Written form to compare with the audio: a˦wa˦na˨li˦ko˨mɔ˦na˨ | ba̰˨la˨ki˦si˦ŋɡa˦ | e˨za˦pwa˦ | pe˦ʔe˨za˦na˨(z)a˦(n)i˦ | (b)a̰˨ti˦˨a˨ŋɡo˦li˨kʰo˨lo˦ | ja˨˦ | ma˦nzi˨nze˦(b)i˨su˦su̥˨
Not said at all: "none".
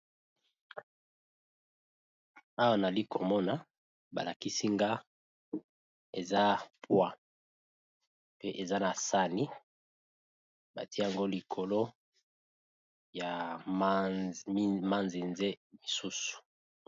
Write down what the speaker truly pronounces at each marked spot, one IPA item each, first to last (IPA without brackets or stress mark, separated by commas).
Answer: s, n, b, m